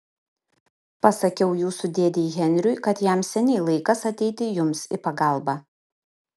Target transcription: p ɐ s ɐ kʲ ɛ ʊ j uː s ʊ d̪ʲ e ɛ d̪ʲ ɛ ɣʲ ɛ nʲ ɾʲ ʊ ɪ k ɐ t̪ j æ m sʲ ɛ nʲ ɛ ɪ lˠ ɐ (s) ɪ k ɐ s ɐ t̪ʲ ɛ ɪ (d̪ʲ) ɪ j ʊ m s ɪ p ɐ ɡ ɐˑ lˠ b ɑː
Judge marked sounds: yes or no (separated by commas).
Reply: no, no